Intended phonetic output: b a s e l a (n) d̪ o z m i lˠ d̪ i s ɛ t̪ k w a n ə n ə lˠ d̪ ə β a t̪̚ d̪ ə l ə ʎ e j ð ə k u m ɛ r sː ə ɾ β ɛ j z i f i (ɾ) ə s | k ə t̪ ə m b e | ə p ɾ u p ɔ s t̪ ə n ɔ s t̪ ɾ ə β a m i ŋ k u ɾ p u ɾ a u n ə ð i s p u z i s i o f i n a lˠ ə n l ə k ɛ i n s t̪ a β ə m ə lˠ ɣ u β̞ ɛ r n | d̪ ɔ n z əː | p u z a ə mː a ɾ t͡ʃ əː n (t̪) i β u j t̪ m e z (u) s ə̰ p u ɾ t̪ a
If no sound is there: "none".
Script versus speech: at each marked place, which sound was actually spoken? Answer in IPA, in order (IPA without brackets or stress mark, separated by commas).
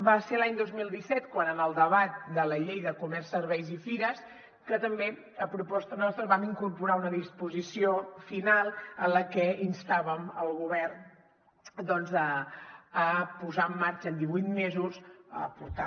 ɲ, ɾ, d̪, u